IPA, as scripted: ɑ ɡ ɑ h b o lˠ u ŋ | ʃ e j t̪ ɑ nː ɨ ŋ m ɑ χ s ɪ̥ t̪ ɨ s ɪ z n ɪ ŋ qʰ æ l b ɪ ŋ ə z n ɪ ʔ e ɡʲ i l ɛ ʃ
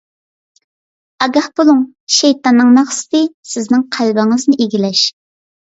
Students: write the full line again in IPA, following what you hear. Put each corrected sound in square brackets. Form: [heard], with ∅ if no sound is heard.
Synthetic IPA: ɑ ɡ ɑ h b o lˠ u ŋ | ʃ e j t̪ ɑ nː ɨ ŋ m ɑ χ s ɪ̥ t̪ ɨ s ɪ z n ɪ ŋ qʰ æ l b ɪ ŋ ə z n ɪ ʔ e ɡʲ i l ɛ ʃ